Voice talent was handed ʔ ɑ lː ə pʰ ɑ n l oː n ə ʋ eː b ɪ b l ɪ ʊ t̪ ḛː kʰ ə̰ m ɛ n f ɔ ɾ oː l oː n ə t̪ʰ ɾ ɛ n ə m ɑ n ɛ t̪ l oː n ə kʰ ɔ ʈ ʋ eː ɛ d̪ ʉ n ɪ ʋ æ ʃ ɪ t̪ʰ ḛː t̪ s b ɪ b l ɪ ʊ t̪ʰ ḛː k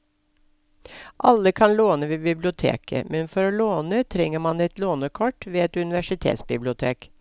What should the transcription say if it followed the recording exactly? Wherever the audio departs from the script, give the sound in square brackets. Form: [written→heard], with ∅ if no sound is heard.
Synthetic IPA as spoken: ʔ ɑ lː ə [pʰ→kʰ] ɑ n l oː n ə ʋ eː b ɪ b l ɪ ʊ [t̪→t̪ʰ] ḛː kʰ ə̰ m ɛ n f ɔ ɾ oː l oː n ə t̪ʰ ɾ ɛ [n→ŋ] ə m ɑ n ɛ t̪ l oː n ə kʰ ɔ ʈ ʋ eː ɛ [d̪→t̪] ʉ n ɪ ʋ æ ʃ ɪ t̪ʰ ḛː t̪ s b ɪ b l ɪ ʊ t̪ʰ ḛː k